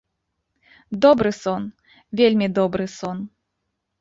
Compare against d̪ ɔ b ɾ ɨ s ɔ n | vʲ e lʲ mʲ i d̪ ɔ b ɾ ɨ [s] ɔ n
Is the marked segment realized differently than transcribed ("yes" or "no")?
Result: no